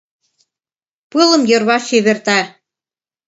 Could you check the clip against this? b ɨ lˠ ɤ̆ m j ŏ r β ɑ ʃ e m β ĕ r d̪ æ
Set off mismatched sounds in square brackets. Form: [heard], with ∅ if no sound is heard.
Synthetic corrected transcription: [p] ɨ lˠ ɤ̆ m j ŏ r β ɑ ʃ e [∅] β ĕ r [t̪] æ